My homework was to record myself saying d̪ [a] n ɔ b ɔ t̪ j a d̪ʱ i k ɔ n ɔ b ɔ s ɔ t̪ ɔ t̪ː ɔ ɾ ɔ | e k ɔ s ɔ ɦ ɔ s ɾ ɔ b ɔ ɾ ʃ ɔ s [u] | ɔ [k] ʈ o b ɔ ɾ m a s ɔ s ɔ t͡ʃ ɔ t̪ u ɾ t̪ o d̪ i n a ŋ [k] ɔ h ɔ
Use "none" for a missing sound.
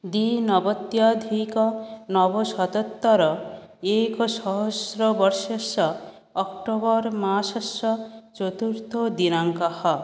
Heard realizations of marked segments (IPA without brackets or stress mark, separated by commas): i, ɔ, k, k